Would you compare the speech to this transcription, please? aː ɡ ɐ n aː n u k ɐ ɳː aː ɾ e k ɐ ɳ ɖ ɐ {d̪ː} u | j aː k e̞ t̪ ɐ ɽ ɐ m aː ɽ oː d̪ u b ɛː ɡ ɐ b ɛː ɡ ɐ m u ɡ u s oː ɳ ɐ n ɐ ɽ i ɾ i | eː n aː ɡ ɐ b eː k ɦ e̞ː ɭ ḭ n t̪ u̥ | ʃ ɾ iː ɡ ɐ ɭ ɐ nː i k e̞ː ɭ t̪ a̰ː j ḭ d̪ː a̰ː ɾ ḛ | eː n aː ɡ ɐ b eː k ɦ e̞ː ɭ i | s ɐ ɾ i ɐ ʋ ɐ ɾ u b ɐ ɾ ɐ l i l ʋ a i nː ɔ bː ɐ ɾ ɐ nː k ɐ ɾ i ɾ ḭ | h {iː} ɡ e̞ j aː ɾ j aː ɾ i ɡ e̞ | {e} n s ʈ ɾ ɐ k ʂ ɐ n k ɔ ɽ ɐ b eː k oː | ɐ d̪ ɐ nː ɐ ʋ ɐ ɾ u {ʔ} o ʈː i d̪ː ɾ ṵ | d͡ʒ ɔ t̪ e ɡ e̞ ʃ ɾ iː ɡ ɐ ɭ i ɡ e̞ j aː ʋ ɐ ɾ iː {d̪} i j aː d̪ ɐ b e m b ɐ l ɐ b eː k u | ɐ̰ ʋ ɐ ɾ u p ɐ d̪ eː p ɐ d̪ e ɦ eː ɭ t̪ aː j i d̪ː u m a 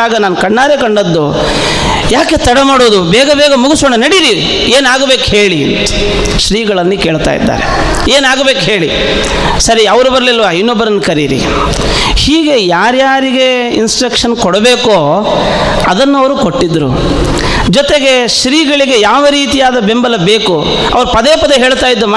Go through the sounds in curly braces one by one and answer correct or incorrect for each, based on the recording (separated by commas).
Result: correct, correct, incorrect, incorrect, incorrect